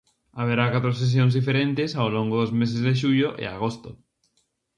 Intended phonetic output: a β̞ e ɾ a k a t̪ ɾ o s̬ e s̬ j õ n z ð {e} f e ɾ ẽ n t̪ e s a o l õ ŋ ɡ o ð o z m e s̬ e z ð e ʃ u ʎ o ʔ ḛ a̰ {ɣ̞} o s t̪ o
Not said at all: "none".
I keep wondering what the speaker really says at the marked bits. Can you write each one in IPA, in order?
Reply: i, ɣ̞

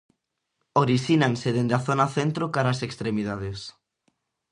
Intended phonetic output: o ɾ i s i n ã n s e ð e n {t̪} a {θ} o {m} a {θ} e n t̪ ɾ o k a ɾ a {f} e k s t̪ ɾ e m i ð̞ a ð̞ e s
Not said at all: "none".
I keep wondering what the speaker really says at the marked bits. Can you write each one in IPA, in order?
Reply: d̪, θ, n, θ, s

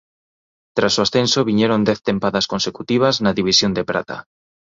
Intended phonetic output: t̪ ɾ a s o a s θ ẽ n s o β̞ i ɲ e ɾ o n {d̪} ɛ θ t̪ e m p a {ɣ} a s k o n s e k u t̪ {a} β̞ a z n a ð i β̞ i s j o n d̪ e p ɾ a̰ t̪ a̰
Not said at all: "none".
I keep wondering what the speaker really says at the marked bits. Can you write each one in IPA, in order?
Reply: d̪, ð, i

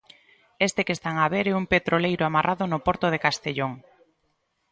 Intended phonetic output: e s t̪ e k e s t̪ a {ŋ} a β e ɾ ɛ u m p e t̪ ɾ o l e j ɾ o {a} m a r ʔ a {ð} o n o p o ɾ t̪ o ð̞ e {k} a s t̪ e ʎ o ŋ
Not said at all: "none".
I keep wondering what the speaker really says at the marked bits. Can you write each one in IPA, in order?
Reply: ŋ, a, ð, k

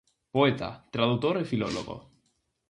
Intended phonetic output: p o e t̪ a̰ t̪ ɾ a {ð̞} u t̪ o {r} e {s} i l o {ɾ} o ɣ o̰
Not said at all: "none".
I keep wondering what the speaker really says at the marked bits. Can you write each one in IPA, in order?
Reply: ð̞, ɾ, f, l

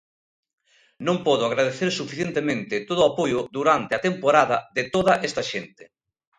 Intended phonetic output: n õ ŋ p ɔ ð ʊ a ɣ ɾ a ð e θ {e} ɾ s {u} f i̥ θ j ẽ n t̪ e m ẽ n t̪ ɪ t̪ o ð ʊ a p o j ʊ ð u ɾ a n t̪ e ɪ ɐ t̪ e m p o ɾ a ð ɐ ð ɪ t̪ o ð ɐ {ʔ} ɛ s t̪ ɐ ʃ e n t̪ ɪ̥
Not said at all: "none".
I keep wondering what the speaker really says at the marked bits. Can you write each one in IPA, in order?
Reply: e, u, ʔ

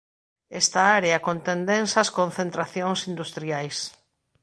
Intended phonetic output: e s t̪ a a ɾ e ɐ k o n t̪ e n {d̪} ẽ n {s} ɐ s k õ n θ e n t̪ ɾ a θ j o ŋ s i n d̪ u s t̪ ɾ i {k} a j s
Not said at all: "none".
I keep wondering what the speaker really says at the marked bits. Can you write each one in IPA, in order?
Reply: d̪, s, none

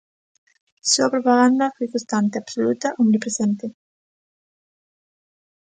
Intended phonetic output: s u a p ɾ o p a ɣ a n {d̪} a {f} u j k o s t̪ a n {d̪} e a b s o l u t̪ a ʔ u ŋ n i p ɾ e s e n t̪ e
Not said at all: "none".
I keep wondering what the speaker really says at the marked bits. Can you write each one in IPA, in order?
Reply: d̪, f, t̪

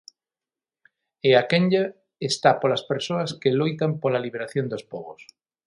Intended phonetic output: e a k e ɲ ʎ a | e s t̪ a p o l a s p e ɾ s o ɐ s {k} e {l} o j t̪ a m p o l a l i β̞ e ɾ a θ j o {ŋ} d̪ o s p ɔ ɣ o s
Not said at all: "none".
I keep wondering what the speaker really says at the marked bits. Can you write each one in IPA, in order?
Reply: k, l, n

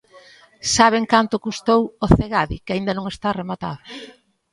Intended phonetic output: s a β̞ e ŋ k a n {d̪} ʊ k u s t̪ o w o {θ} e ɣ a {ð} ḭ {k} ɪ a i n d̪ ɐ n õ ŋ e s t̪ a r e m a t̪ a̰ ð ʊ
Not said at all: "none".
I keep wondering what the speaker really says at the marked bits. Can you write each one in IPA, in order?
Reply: t̪, θ, ð, k

